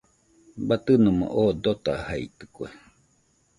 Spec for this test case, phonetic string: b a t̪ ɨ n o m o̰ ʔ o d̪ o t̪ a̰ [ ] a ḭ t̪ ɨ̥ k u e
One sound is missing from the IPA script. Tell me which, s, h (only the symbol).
h